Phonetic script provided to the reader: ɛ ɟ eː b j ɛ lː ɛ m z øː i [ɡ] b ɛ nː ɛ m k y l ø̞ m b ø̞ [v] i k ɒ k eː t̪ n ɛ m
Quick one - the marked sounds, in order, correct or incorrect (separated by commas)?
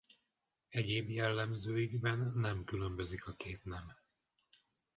correct, incorrect